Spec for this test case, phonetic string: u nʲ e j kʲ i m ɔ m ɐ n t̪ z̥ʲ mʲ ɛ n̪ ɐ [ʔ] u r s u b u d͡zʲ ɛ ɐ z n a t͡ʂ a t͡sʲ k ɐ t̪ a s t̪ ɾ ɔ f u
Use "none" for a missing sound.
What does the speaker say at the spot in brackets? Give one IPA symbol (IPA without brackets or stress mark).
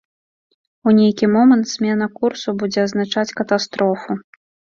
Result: k